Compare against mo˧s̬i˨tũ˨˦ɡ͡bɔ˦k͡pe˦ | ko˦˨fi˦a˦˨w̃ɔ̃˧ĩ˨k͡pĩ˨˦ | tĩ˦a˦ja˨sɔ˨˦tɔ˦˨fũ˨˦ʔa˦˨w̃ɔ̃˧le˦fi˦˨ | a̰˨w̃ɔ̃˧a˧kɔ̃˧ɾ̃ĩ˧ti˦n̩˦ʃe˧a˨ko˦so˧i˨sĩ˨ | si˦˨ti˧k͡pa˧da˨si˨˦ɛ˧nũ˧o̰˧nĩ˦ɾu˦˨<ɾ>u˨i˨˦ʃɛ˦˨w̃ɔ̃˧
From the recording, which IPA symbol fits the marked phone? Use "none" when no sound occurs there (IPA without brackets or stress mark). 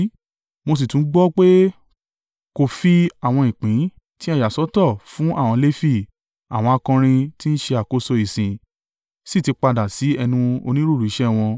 ɾ